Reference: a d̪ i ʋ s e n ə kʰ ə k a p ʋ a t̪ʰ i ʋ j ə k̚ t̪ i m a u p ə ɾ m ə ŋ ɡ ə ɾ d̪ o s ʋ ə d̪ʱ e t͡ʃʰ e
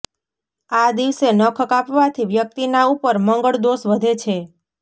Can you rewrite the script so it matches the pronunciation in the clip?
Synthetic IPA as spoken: a d̪ i ʋ s e n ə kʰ ə k a p ʋ a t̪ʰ i ʋ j ə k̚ t̪ i n a u p ə ɾ m ə ŋ ɡ ə ɭ d̪ o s ʋ ə d̪ʱ e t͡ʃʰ e